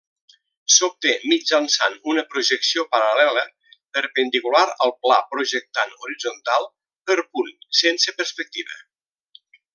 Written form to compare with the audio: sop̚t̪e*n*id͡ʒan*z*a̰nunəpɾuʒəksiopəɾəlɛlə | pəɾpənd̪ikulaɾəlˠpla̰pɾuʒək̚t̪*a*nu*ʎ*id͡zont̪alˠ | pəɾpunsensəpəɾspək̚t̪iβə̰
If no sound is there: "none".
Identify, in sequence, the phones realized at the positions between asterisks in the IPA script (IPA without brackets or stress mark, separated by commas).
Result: m, s, a, ɾ